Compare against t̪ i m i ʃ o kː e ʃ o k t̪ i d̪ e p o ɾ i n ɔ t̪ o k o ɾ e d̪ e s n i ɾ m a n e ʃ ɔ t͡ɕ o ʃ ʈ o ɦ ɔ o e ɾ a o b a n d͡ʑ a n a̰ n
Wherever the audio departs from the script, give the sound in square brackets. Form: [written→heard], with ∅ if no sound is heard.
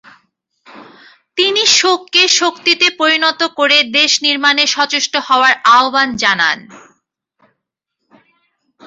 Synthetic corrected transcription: t̪ i [m→n] i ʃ o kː e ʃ o k t̪ i [d̪→t̪] e p o ɾ i n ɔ t̪ o k o ɾ e d̪ e [s→ʃ] n i ɾ m a n e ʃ ɔ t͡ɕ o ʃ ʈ o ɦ ɔ o [e→a] ɾ a o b a n d͡ʑ a n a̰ n